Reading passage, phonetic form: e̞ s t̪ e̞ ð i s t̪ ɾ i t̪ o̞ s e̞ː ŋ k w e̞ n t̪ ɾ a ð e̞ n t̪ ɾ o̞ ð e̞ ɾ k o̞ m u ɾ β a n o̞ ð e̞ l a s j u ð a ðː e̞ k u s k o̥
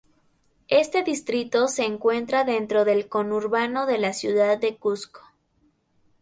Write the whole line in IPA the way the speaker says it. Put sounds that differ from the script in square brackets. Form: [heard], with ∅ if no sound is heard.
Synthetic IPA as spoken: e̞ s t̪ e̞ ð i s t̪ ɾ i t̪ o̞ s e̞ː ŋ k w e̞ n t̪ ɾ a ð e̞ n t̪ ɾ o̞ ð e̞ [l] k o̞ [n] u ɾ β a n o̞ ð e̞ l a s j u ð a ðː e̞ k u s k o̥